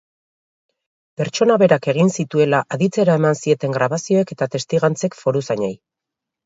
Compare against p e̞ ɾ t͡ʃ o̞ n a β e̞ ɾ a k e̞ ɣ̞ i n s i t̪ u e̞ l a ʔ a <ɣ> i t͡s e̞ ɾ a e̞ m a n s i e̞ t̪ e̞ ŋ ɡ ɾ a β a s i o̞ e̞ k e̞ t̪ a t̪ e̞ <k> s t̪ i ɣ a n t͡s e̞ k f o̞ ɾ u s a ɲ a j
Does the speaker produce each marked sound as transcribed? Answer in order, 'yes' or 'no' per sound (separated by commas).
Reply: no, no